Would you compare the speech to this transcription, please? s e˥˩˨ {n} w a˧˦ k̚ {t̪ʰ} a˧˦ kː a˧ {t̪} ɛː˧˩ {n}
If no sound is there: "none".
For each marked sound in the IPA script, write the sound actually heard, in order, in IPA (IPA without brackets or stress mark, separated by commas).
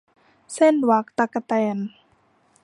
n, t̪, t̪, n